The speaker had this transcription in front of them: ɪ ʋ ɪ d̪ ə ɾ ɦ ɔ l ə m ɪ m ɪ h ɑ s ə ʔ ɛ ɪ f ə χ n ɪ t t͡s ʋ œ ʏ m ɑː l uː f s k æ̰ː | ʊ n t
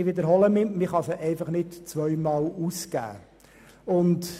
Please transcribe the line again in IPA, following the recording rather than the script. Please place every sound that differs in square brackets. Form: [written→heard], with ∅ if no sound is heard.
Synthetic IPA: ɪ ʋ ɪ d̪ ə ɾ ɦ ɔ l ə m ɪ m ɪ [h→χ] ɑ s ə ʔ ɛ ɪ f [ə→ɑ] χ n ɪ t t͡s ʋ œ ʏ m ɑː l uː [f→∅] s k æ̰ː | ʊ n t